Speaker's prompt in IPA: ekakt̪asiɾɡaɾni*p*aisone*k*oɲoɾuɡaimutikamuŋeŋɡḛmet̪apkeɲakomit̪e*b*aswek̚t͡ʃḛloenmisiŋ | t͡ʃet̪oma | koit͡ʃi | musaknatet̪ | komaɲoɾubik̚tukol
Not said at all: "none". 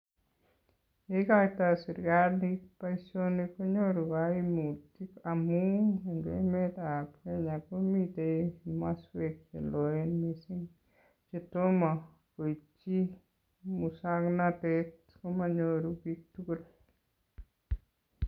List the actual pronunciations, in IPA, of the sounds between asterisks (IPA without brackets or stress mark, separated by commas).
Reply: p, k, m